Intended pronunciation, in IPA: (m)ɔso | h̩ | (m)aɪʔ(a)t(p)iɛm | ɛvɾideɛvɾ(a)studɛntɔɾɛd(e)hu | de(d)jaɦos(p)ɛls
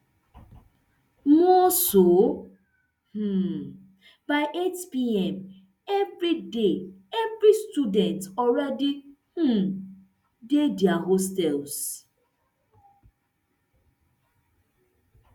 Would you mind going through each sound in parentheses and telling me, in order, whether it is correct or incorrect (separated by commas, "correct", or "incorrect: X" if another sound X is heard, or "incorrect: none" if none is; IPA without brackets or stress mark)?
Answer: correct, incorrect: b, incorrect: e, correct, incorrect: i, incorrect: i, correct, incorrect: t